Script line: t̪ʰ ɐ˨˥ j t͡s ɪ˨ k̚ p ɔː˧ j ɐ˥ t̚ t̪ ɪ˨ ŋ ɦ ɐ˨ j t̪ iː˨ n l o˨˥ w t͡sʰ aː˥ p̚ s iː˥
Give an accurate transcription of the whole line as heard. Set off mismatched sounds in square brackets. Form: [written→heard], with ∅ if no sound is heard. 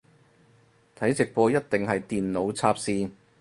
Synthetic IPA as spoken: t̪ʰ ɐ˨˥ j t͡s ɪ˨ k̚ p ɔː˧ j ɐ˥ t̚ t̪ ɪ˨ ŋ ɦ ɐ˨ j t̪ iː˨ n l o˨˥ w t͡sʰ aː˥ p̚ s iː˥